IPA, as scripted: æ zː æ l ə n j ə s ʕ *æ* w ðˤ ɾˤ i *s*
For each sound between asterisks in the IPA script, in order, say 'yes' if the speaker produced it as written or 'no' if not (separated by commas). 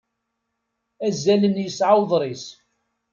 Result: no, yes